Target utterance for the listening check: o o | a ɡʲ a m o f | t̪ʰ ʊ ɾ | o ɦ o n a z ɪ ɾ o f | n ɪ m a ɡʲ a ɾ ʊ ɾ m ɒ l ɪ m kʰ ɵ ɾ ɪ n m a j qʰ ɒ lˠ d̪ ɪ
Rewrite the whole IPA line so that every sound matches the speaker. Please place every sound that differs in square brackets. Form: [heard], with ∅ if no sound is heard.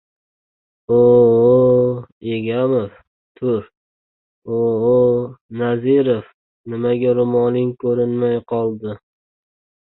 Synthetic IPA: o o | [e] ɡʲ a m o f | t̪ʰ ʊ ɾ | o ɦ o n a z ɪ ɾ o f | n ɪ m a ɡʲ a ɾ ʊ [∅] m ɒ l ɪ [ŋ] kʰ ɵ ɾ ɪ n m a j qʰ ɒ lˠ d̪ ɪ